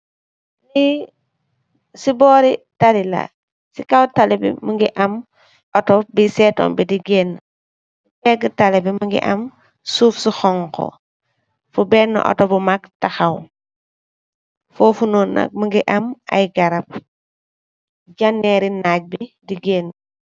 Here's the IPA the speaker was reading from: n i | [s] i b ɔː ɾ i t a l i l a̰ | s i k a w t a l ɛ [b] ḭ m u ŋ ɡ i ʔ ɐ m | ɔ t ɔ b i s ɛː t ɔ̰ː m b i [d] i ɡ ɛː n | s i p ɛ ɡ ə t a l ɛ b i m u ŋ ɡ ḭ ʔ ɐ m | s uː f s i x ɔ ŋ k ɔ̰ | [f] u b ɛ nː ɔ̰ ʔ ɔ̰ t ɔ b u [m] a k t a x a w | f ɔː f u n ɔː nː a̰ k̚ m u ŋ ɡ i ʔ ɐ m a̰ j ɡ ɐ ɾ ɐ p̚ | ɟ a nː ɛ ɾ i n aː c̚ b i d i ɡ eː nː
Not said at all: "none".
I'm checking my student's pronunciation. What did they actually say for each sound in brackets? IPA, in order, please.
s, b, d, f, m

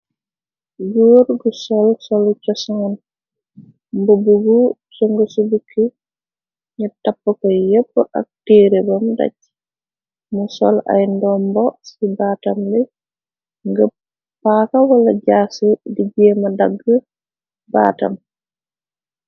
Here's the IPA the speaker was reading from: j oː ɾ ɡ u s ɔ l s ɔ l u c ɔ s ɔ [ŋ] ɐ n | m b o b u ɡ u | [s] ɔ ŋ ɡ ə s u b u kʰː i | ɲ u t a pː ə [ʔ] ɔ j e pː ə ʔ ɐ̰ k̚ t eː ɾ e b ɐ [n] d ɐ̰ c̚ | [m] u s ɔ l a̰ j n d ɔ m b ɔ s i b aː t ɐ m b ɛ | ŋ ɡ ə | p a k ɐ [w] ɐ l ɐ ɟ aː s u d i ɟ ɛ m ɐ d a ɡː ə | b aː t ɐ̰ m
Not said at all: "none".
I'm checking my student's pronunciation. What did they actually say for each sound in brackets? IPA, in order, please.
ŋ, s, k, m, m, w

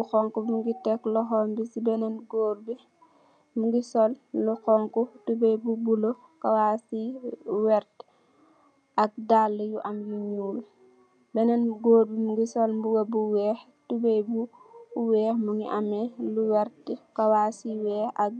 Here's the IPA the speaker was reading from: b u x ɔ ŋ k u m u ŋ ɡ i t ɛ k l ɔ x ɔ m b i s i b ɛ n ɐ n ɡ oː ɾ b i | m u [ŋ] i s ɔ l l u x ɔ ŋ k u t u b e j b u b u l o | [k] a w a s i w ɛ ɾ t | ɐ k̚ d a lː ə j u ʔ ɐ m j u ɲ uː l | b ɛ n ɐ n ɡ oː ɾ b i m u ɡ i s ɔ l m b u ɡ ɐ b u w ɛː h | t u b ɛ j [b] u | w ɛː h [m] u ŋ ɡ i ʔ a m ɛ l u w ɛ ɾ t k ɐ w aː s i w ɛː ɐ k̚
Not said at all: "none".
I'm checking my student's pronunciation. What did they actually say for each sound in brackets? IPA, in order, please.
ɡ, k, b, m

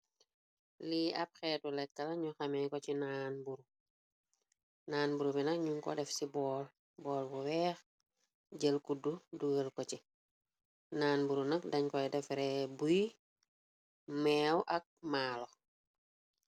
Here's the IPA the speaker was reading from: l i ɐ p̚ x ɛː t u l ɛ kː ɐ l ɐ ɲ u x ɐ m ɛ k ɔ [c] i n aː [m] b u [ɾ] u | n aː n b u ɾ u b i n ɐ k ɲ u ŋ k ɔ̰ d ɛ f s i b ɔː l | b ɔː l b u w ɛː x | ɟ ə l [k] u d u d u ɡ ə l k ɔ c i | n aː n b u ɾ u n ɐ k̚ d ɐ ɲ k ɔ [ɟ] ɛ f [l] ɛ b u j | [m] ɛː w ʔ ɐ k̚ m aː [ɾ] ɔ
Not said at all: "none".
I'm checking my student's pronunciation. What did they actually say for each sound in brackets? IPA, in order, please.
c, n, ɾ, k, d, ɾ, m, l

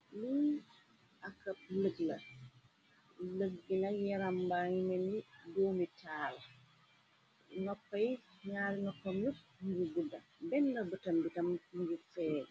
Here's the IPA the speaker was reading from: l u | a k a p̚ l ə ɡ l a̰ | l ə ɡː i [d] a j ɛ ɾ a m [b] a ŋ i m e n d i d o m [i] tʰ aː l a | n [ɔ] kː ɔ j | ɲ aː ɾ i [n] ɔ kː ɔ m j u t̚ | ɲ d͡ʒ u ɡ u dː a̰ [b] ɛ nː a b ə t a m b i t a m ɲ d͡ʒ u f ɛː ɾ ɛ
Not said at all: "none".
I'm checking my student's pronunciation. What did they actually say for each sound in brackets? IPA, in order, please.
n, b, i, ɔ, n, b

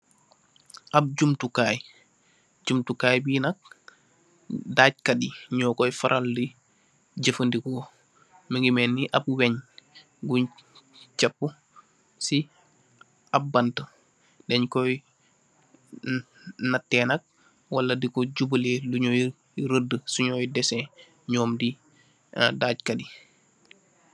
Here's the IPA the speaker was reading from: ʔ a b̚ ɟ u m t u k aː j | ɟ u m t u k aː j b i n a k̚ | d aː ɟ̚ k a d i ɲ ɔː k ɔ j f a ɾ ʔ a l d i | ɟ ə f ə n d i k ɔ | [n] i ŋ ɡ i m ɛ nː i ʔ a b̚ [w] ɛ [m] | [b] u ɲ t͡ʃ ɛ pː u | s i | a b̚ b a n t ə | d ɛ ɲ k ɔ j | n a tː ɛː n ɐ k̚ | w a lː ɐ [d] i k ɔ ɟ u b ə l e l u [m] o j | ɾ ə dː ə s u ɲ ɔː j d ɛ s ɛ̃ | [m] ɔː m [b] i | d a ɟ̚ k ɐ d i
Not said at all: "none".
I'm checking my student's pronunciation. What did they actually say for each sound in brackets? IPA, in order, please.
m, w, ɲ, ɡ, d, ɲ, ɲ, d

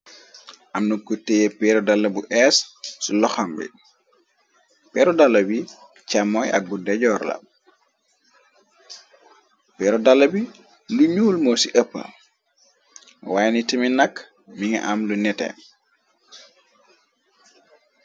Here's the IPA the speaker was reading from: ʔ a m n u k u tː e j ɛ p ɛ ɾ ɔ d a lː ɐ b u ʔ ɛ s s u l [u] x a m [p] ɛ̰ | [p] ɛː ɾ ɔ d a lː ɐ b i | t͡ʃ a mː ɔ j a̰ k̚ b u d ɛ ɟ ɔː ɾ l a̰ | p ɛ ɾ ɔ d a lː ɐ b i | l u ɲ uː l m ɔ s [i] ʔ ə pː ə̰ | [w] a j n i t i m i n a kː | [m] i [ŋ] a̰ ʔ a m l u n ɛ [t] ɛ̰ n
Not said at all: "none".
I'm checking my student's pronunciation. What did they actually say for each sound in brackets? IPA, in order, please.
ɔ, b, p, i, w, m, ŋ, t

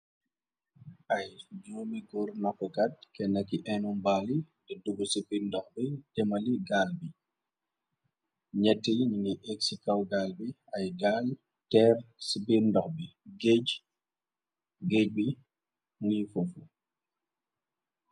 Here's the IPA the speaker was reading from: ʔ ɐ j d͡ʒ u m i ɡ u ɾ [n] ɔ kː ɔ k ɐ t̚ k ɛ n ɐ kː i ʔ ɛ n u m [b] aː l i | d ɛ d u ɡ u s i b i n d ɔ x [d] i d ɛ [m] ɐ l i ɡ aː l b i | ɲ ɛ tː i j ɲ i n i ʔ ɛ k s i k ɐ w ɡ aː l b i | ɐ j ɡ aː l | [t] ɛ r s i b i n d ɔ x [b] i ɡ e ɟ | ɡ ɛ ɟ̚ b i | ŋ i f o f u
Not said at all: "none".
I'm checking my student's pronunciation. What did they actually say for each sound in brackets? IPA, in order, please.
n, b, b, m, t, b

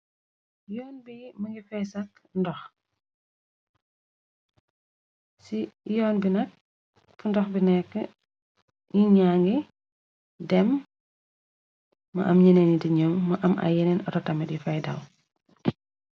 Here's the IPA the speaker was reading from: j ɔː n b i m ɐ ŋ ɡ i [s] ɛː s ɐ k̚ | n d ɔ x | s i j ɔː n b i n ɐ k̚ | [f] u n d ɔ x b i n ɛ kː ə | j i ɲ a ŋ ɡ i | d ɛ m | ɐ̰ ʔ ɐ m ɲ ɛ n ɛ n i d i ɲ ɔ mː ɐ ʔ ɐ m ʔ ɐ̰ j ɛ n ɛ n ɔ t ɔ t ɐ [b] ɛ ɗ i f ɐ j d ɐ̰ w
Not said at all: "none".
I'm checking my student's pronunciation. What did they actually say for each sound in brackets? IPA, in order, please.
f, f, m

